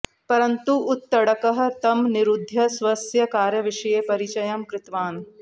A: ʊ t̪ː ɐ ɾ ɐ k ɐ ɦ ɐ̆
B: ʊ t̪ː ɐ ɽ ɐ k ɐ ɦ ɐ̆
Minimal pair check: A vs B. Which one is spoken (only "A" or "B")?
B